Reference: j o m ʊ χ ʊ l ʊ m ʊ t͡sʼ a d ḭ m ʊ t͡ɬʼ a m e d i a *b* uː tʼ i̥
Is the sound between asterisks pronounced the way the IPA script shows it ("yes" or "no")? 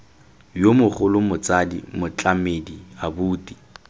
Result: yes